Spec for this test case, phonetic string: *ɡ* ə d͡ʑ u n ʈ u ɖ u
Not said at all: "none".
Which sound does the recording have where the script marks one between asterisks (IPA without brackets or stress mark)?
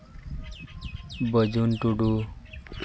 b